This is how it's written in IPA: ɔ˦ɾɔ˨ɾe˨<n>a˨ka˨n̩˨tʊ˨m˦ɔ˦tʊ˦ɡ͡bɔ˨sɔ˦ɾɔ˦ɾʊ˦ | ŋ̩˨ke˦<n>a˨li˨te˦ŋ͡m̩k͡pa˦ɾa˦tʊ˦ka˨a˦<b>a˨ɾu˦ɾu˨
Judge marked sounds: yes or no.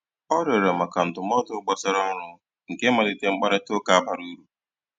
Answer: no, no, yes

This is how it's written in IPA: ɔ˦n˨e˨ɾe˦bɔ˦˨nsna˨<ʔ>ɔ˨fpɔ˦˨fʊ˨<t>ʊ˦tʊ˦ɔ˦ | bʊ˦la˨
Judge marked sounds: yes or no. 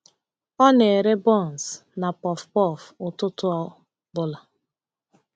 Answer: no, yes

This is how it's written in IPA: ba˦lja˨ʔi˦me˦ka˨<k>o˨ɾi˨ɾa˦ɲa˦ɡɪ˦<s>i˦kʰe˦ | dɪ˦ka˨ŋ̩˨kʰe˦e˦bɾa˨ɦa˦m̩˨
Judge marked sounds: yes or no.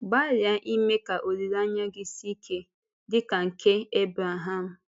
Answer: no, yes

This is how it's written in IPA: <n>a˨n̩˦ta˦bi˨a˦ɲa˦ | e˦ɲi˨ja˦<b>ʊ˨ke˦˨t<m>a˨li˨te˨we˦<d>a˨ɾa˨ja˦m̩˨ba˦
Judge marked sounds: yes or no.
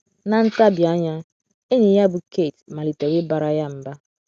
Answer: yes, yes, yes, no

